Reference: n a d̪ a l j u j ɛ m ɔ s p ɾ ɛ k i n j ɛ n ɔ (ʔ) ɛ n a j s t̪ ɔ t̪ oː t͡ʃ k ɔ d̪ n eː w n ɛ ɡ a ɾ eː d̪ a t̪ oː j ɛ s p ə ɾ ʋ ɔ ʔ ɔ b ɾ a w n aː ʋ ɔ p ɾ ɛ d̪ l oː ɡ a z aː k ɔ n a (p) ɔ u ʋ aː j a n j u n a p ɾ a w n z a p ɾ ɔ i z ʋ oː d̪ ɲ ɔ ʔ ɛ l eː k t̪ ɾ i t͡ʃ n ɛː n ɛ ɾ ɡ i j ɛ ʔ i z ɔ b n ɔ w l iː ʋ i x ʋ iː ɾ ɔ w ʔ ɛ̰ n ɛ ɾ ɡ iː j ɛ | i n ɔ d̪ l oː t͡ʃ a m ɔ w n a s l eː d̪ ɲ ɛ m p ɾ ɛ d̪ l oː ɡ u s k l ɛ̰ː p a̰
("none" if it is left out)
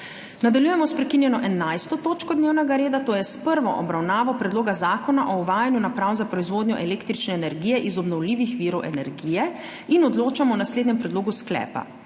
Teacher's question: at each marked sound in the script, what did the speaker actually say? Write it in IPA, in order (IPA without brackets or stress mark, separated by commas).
ʔ, ʔ